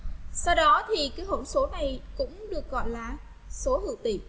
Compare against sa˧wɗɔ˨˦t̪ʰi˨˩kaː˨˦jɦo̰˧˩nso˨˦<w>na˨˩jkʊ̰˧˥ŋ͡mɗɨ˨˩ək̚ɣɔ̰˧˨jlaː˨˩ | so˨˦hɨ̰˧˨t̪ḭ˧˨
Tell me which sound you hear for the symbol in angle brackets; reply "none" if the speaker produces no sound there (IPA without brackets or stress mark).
none